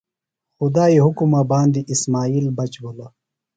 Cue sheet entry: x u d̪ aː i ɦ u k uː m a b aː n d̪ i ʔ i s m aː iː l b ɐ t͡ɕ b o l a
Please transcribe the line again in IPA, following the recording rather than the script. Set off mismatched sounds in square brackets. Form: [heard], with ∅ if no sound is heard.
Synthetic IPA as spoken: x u d̪ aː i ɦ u k [u] m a b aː n d̪ i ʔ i s m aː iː l b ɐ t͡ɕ b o l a